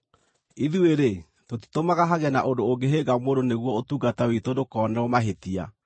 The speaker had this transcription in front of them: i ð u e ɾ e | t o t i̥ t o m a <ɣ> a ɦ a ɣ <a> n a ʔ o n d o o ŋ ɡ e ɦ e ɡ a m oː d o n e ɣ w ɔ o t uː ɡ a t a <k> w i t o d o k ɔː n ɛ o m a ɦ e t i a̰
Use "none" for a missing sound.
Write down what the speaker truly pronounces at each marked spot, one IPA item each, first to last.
ɣ, ɛ, none

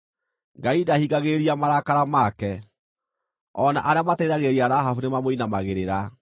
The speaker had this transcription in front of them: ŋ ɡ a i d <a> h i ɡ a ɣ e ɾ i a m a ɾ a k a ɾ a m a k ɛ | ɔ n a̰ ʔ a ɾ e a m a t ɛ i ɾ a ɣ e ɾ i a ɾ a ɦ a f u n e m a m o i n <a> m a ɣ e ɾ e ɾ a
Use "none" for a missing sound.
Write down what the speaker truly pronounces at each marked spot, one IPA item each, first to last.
a, a

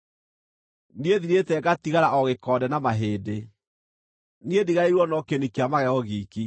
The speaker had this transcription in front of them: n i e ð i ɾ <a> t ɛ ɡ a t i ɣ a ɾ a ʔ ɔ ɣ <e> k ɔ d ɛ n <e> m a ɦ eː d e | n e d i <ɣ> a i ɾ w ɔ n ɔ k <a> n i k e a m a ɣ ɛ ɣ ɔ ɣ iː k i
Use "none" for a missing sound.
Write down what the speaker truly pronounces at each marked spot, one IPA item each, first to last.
e, e, a, ɣ, e

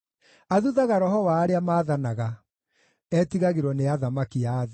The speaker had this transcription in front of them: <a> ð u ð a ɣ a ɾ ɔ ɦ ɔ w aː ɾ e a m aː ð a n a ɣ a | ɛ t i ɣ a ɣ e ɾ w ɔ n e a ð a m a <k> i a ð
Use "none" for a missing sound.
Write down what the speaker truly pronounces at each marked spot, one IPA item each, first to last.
a, k

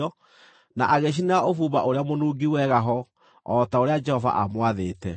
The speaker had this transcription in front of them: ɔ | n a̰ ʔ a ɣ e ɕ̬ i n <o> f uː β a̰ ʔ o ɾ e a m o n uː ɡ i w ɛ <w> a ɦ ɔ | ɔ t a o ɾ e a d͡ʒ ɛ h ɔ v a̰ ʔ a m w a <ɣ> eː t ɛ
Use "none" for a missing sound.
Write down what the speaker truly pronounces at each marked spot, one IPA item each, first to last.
o, ɣ, ð

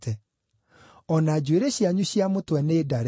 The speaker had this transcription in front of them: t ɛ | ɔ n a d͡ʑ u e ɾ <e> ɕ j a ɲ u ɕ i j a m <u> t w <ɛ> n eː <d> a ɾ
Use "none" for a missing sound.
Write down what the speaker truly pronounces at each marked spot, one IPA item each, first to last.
e, o, ɛ, d

